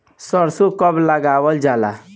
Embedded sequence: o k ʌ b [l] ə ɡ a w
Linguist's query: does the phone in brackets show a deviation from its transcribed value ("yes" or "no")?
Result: no